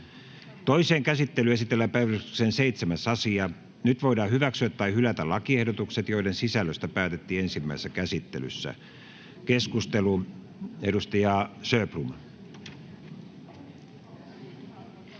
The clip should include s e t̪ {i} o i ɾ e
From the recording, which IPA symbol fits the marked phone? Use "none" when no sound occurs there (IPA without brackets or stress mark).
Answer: j